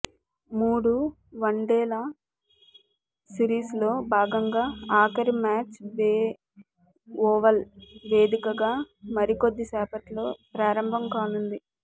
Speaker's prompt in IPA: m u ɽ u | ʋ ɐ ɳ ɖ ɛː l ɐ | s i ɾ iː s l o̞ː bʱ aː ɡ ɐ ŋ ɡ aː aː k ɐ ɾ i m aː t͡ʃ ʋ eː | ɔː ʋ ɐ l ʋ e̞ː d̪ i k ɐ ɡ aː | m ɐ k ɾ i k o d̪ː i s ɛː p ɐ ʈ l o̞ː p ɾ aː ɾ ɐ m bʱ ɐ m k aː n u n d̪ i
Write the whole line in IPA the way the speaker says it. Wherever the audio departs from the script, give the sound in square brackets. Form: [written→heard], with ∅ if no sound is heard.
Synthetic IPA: m [u→uː] ɽ u | ʋ ɐ ɳ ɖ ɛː l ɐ | s i ɾ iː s l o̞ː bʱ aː ɡ ɐ ŋ ɡ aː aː k ɐ ɾ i m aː t͡ʃ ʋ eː | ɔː ʋ ɐ l ʋ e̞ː d̪ i k ɐ ɡ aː | m ɐ [k→∅] ɾ i k o d̪ː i s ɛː p ɐ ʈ l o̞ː p ɾ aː ɾ ɐ m bʱ ɐ m k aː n u n d̪ i